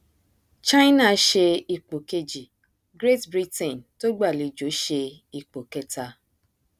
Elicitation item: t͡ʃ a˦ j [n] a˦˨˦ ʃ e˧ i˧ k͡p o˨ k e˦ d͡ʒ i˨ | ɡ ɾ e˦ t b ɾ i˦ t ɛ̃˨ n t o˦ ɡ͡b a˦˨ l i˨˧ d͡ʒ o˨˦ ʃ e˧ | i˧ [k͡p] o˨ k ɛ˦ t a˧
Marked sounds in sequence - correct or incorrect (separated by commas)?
correct, correct